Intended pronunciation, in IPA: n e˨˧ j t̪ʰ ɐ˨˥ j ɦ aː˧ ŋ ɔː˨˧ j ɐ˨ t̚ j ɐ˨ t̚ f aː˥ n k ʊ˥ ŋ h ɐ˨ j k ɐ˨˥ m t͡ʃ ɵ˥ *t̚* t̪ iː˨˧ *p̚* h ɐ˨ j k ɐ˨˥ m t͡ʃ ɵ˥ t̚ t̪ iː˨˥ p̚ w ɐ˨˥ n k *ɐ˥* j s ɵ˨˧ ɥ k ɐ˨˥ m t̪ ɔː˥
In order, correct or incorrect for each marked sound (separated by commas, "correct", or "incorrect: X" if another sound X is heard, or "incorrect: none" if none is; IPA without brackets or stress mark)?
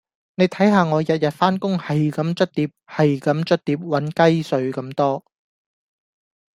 correct, correct, correct